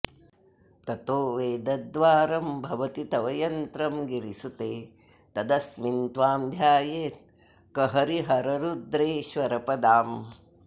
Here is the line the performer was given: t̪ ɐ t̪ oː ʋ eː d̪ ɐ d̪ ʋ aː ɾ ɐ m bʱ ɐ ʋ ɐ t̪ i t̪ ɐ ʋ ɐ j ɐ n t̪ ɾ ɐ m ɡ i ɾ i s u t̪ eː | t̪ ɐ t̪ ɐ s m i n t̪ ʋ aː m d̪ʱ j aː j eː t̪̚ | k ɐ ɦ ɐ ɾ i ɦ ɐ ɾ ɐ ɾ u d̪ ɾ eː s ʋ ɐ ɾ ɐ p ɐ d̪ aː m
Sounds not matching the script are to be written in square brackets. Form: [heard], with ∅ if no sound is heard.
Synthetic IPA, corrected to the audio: t̪ ɐ t̪ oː ʋ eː d̪ ɐ d̪ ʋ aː ɾ ɐ m bʱ ɐ ʋ ɐ t̪ i t̪ ɐ ʋ ɐ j ɐ n t̪ ɾ ɐ m ɡ i ɾ i s u t̪ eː | t̪ ɐ [d̪] ɐ s m i n t̪ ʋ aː m d̪ʱ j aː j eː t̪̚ | k ɐ ɦ ɐ ɾ i ɦ ɐ ɾ ɐ ɾ u d̪ ɾ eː [ʃ] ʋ ɐ ɾ ɐ p ɐ d̪ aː m